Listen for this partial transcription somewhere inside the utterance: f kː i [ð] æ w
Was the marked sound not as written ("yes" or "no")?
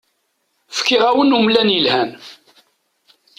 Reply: yes